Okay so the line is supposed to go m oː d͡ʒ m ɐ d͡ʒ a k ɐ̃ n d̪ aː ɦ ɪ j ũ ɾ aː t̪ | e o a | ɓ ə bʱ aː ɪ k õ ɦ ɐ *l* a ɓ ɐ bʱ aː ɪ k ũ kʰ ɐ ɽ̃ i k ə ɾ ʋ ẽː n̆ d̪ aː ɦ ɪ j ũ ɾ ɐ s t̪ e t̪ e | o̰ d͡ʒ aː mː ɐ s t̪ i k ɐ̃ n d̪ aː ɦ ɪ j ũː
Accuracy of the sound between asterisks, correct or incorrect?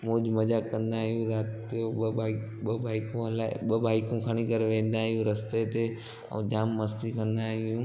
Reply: correct